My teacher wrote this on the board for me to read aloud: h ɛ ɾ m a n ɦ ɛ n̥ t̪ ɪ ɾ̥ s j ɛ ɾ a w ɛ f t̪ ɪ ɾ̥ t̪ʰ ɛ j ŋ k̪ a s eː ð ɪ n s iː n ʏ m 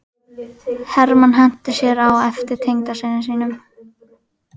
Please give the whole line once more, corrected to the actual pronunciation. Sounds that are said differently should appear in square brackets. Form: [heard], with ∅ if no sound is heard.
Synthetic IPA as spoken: h ɛ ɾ m a n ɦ ɛ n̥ t̪ ɪ [∅] s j ɛ ɾ a w ɛ f t̪ ɪ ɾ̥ t̪ʰ [e] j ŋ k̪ a s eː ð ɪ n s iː n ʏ m